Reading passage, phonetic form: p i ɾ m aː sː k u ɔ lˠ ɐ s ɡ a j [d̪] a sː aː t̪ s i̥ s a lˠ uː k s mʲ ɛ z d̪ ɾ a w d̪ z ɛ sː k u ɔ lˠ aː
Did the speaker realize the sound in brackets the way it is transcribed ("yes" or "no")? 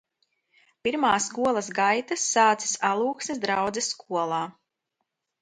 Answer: no